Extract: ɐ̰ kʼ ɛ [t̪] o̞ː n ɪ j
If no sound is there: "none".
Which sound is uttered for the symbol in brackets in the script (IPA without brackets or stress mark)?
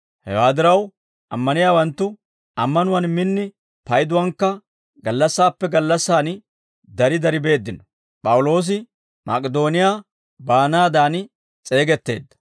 d̪